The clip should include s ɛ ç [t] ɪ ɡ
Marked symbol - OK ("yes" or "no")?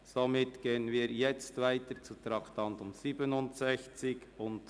no